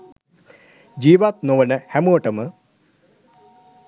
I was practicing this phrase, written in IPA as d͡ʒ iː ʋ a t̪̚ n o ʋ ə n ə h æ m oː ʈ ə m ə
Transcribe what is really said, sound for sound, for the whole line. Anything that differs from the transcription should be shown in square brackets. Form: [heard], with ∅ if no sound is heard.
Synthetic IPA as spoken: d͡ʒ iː ʋ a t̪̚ n o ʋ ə n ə h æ m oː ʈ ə m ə